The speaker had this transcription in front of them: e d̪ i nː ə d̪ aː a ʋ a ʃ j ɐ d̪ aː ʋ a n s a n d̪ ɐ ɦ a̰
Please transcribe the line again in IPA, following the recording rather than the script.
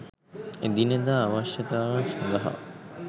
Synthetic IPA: e d̪ i n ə d̪ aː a ʋ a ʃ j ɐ t̪ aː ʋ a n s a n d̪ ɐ ɦ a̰